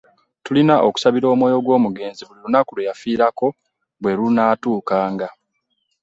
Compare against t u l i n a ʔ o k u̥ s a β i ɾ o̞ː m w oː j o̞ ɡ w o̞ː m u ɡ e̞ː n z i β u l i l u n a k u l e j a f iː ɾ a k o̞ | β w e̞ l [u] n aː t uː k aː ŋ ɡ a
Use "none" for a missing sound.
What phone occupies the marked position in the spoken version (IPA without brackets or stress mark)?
u